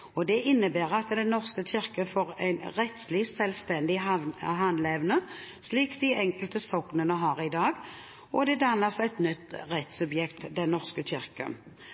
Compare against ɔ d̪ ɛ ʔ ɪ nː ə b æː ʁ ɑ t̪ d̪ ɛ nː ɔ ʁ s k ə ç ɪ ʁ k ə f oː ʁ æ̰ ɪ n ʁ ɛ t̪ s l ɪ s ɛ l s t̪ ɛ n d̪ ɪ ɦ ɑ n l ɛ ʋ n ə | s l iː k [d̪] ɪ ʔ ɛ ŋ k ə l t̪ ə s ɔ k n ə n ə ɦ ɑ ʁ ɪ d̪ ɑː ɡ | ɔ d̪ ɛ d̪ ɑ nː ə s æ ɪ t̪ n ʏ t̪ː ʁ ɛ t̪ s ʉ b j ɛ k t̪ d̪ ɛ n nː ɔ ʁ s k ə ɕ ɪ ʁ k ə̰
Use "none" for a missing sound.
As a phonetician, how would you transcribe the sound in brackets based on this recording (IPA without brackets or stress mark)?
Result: d̪